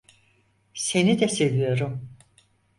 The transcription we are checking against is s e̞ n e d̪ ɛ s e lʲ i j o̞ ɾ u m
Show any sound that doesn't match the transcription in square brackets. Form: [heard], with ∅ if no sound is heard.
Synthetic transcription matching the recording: s e̞ n [i] d̪ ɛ s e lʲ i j o̞ ɾ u m